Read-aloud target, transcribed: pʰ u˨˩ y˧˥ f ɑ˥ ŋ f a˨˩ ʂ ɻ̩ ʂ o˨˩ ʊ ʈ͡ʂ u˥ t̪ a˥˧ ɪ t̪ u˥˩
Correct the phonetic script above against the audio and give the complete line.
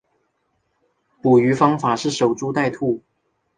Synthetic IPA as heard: p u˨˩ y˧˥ f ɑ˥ ŋ f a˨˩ ʂ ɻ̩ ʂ o˨˩ ʊ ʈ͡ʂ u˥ t̪ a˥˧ ɪ t̪ʰ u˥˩